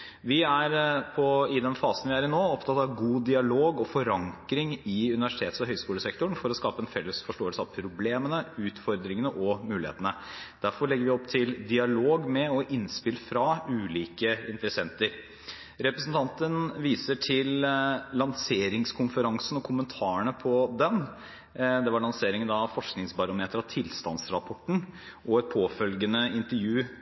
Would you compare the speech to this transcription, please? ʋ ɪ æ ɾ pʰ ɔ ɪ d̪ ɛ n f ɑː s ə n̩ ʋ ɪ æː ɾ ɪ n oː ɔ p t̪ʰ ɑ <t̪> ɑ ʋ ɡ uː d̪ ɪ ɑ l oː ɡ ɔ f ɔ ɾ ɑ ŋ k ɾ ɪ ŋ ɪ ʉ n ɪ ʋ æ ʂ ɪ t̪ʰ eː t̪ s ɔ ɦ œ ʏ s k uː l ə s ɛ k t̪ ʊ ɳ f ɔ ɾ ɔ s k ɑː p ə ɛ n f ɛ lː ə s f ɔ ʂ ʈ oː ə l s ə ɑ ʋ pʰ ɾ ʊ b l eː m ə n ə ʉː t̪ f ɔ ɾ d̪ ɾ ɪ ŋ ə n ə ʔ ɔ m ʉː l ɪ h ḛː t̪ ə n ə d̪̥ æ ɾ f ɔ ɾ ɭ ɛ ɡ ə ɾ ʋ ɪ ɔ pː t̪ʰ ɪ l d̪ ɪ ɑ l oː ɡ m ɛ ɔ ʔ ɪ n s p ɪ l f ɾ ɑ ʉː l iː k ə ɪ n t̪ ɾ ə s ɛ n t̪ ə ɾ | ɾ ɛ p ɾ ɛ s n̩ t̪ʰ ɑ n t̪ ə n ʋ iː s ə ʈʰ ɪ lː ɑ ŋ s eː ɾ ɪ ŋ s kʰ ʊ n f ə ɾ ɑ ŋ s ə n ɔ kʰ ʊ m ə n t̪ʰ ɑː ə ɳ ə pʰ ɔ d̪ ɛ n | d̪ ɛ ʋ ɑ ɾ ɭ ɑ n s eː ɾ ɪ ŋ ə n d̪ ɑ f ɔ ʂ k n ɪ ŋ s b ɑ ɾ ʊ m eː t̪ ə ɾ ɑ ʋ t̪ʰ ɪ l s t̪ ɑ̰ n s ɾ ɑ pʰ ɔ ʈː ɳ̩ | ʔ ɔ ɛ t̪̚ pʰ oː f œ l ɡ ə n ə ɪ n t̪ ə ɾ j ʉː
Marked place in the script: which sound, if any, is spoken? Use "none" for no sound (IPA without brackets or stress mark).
t̪